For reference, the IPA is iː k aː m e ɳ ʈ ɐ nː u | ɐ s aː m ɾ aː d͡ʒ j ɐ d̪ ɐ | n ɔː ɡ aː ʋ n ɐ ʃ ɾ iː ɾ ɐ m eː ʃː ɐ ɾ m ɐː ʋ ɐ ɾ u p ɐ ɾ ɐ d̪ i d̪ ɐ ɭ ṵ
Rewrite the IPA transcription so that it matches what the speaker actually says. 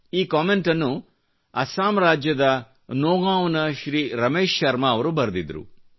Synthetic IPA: iː k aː m e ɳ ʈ ɐ nː u | ɐ s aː m ɾ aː d͡ʒ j ɐ d̪ ɐ | n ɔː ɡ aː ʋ n ɐ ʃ ɾ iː ɾ ɐ m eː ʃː ɐ ɾ m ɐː ʋ ɐ ɾ u b ɐ ɾ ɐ d̪ i d̪ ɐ ɾ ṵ